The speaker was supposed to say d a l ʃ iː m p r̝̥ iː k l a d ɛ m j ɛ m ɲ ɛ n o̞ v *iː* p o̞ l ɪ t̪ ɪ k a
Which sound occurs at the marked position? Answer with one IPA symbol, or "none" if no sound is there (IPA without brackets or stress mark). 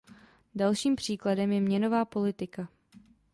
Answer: aː